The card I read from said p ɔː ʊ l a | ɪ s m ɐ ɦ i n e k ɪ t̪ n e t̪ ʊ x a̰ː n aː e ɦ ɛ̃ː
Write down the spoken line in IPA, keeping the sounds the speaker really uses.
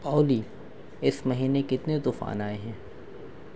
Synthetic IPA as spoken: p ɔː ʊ l i | ɪ s m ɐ ɦ iː n e k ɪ t̪ n e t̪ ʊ f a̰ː n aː e ɦ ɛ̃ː